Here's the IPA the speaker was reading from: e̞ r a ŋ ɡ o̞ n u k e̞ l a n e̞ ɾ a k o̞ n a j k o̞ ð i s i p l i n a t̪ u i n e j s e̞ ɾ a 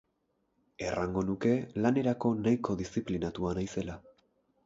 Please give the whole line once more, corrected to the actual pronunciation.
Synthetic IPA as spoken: e̞ r a ŋ ɡ o̞ n u k e̞ l a n e̞ ɾ a k o̞ n a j k o̞ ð i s i p l i n a t̪ u a n a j s e̞ l a